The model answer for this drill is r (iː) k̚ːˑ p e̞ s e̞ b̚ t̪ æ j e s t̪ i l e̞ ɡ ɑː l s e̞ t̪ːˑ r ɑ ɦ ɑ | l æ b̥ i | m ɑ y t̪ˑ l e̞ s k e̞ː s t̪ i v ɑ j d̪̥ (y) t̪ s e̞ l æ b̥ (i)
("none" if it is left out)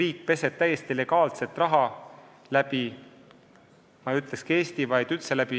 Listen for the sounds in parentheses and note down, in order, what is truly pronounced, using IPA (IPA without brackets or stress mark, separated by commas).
iː, y, i